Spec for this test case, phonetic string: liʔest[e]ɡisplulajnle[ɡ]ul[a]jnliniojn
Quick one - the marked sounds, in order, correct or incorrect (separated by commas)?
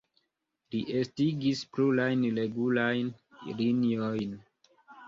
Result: incorrect, correct, correct